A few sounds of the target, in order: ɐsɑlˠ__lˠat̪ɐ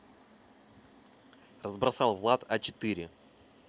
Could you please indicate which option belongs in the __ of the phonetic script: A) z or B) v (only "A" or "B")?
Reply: B